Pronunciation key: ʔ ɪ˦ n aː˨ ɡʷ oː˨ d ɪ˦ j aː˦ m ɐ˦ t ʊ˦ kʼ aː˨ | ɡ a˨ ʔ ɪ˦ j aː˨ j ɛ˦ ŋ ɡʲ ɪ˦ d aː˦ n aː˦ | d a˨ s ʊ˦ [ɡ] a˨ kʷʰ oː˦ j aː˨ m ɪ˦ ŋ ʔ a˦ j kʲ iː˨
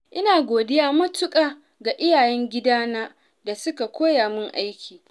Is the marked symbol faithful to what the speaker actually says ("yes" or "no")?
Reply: no